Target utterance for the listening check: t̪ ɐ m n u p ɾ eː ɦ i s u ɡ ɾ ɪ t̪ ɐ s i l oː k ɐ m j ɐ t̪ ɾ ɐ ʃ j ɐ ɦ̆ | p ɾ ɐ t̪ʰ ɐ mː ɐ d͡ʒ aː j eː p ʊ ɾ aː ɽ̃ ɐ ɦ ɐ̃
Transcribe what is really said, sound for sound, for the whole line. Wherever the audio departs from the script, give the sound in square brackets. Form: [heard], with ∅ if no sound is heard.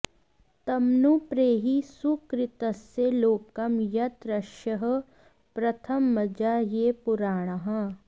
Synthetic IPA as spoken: t̪ ɐ m n u p ɾ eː ɦ i s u [k] ɾ ɪ t̪ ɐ s [e] l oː k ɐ m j ɐ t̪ ɾ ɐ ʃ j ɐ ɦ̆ | p ɾ ɐ t̪ʰ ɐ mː ɐ d͡ʒ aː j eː p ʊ ɾ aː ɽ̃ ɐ ɦ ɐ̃